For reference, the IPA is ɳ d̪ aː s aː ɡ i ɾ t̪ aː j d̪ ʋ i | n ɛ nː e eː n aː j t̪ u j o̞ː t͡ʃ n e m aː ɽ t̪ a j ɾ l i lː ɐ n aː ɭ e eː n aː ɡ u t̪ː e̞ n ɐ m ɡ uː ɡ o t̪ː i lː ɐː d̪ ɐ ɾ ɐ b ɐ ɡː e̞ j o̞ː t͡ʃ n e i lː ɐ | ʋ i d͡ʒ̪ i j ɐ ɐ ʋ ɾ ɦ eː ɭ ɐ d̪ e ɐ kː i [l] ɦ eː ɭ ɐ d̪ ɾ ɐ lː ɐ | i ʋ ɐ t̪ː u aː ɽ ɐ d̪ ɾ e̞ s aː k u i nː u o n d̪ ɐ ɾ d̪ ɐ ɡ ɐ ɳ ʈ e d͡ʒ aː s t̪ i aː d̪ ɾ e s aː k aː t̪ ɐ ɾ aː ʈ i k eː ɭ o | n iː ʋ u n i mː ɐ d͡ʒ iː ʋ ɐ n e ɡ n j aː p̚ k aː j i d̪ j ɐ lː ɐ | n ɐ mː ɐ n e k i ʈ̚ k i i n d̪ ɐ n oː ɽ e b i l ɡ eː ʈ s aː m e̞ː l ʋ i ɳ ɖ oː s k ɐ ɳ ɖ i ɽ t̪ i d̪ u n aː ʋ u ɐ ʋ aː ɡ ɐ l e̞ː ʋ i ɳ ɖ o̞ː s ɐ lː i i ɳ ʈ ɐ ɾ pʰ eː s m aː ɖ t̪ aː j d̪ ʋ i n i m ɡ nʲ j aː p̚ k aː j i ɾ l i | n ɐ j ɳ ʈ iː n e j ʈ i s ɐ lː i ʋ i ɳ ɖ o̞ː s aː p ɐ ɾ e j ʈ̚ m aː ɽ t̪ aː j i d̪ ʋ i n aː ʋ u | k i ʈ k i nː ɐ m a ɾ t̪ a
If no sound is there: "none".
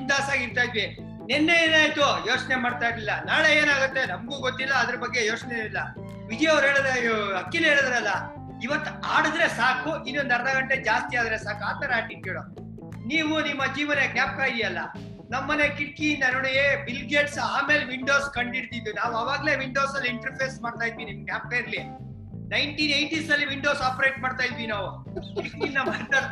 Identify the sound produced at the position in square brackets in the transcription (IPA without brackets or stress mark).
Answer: l